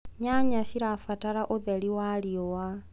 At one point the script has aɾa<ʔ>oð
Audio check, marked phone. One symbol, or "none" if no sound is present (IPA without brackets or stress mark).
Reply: ʔ